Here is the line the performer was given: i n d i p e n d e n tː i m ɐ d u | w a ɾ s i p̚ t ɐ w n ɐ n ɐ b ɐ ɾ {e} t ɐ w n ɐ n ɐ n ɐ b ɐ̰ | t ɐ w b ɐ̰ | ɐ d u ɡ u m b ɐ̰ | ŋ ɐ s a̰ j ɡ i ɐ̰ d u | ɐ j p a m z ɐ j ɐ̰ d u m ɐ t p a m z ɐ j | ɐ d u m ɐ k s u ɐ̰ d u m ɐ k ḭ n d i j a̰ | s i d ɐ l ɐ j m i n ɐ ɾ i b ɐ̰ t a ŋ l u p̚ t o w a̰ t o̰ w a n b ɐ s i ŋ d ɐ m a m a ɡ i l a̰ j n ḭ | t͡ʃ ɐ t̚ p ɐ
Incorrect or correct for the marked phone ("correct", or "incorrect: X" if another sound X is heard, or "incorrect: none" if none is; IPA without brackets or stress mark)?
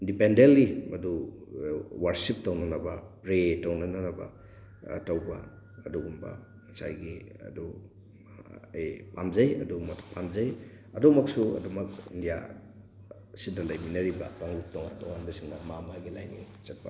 correct